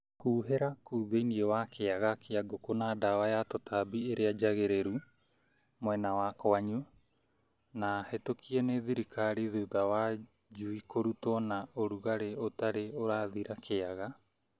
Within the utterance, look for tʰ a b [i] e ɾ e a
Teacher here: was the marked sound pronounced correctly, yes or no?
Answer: yes